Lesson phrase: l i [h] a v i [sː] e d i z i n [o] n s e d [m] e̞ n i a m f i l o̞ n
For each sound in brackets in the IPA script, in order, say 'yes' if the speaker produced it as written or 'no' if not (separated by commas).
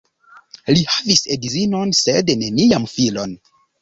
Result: yes, no, yes, no